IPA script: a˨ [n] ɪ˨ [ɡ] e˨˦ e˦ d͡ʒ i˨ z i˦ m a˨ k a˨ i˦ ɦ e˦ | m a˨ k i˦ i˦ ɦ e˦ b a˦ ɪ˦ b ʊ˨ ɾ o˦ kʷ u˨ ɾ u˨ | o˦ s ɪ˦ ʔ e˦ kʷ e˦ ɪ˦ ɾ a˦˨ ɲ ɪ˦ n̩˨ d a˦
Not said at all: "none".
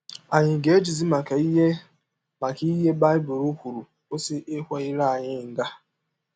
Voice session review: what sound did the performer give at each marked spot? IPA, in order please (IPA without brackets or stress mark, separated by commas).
ɲ, ɡ